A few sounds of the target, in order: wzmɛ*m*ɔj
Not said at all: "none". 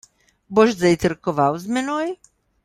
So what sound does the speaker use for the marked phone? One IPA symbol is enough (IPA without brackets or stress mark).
n